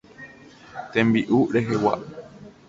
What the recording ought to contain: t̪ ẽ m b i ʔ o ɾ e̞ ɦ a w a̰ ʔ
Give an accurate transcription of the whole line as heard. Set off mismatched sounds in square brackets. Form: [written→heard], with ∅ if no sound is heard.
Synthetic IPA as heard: t̪ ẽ m b i ʔ [o→u] ɾ e̞ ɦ [a→e] w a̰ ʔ

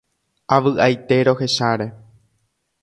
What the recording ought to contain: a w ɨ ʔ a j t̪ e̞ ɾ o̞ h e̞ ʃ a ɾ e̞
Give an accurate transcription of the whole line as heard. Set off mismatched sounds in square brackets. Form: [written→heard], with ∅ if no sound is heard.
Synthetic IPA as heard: a [w→ʋ] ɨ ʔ a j t̪ e̞ ɾ o̞ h e̞ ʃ a ɾ e̞

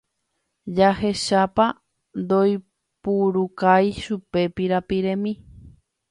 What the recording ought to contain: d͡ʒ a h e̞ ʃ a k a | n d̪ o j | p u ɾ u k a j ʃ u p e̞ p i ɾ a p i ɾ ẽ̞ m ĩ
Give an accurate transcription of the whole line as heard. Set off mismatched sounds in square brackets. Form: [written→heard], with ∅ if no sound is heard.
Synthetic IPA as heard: d͡ʒ a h e̞ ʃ a [k→p] a | n d̪ o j | p u ɾ u k a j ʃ u p e̞ p i ɾ a p i ɾ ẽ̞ m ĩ

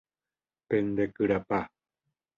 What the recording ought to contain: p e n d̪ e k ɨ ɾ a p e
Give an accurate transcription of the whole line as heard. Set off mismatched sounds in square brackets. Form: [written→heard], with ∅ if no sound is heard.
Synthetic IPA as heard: p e n d̪ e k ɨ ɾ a p [e→a]

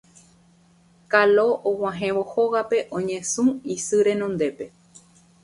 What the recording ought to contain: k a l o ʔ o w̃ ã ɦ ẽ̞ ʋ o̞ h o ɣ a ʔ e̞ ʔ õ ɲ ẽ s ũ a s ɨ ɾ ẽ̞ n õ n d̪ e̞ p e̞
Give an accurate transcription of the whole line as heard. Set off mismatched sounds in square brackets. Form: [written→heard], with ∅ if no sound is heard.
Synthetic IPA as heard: k a l o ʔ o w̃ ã ɦ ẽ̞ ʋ o̞ h o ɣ a [ʔ→p] e̞ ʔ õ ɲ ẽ s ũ [a→i] s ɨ ɾ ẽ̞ n õ n d̪ e̞ p e̞

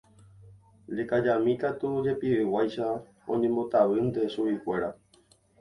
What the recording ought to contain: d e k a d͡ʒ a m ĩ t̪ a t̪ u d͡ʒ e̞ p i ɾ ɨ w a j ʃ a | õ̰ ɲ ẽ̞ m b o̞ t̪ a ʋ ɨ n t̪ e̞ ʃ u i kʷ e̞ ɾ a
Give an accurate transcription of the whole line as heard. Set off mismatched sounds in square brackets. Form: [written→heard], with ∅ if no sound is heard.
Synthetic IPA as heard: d e k a d͡ʒ a m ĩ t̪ a t̪ u d͡ʒ e̞ p i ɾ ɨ w a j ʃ a | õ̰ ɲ ẽ̞ m b o̞ t̪ a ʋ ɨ n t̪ e̞ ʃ u i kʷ e̞ ɾ a

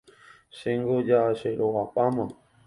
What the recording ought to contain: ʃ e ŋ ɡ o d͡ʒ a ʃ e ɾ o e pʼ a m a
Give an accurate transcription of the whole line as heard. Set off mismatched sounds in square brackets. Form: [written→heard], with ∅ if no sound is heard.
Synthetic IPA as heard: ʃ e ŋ ɡ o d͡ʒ a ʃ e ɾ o [e→a] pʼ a m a

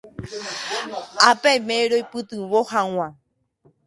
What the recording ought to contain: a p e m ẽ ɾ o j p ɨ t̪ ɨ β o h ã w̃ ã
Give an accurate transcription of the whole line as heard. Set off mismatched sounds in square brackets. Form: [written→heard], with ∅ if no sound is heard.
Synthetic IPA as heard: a p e m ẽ ɾ o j p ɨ t̪ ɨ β o h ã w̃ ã

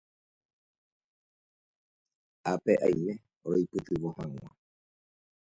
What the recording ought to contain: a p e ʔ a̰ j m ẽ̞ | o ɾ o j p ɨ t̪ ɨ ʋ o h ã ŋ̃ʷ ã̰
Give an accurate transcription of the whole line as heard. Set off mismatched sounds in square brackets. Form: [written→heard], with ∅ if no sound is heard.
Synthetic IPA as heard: a p e ʔ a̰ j m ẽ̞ | o ɾ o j p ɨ t̪ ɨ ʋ o h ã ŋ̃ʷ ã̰

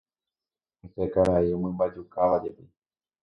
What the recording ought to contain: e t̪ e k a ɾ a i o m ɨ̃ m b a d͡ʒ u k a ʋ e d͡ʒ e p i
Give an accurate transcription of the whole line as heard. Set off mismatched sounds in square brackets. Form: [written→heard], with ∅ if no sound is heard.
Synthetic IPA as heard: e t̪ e k a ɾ a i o m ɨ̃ m b a d͡ʒ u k a ʋ [e→a] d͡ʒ e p i

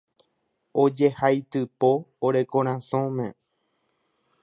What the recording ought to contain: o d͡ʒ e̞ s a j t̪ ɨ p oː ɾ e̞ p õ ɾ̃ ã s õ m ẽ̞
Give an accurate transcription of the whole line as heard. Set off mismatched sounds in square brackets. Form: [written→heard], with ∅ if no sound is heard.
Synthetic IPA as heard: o d͡ʒ e̞ [s→h] a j t̪ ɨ p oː ɾ e̞ [p→k] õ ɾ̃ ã s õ m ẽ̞

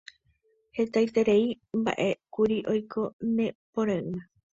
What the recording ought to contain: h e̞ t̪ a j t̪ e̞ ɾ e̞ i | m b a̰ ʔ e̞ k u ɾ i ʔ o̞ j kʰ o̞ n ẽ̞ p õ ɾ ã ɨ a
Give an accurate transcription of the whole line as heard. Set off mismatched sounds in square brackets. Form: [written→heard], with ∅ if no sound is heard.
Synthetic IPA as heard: h e̞ t̪ a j t̪ e̞ ɾ e̞ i | m b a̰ ʔ e̞ k u ɾ i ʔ o̞ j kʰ o̞ n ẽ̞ p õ ɾ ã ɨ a

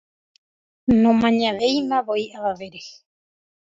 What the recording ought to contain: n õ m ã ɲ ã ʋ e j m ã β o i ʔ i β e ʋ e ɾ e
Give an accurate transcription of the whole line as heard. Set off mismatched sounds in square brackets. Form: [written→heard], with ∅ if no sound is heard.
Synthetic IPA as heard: n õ m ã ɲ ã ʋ e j m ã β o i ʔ [i→a] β [e→a] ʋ e ɾ e

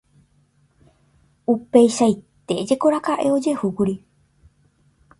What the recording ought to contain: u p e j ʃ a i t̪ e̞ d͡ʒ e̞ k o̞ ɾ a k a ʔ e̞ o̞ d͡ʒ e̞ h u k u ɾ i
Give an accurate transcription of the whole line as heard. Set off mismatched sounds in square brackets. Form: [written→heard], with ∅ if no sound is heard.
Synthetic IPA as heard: u p e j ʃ a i t̪ e̞ d͡ʒ e̞ k o̞ ɾ a k a ʔ e̞ o̞ d͡ʒ e̞ h u k u ɾ i

